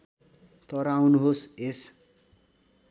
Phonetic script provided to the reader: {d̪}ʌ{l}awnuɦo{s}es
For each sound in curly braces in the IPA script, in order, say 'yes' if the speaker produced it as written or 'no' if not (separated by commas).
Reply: no, no, yes